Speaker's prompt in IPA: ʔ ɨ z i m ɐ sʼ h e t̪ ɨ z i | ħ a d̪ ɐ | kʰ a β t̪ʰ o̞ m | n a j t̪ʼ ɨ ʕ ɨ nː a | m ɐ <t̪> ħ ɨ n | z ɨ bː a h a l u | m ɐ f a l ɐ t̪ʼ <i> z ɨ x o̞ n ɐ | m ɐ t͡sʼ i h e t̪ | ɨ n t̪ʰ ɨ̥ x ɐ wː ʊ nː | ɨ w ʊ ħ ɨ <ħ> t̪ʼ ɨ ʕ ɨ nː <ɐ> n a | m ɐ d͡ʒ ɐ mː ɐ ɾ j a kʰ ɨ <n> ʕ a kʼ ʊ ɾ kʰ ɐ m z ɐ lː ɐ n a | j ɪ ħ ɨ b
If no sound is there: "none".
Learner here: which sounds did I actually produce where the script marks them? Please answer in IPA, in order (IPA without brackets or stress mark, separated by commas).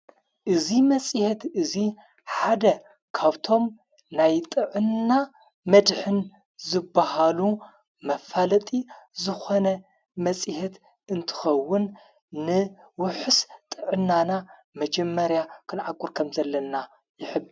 d̪, i, s, a, n